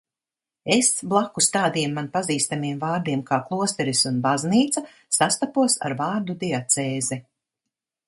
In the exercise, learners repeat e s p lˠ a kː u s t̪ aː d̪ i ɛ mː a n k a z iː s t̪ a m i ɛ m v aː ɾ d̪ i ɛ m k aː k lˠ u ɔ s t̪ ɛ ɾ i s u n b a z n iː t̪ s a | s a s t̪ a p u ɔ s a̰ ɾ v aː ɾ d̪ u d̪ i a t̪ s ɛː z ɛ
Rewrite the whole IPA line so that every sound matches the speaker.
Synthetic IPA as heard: e s b lˠ a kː u s t̪ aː d̪ i ɛ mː a n p a z iː s t̪ a m i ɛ m v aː ɾ d̪ i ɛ m k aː k lˠ u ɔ s t̪ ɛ ɾ i s u n b a z n iː t̪ s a | s a s t̪ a p u ɔ s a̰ ɾ v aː ɾ d̪ u d̪ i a t̪ s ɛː z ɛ